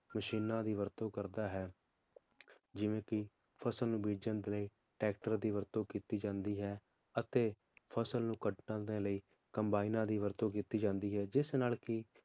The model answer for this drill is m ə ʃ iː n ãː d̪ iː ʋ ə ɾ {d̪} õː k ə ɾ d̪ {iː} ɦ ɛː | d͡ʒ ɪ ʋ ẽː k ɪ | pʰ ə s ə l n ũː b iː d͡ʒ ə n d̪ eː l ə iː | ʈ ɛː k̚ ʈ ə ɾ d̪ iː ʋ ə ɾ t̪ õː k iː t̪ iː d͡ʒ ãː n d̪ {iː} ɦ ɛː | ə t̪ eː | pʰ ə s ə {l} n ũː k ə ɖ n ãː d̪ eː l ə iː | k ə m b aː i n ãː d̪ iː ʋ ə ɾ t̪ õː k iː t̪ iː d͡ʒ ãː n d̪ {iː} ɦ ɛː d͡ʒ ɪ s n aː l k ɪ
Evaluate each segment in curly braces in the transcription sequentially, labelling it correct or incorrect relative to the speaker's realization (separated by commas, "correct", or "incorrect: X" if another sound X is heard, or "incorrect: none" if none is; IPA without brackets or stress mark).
incorrect: t̪, incorrect: aː, correct, correct, correct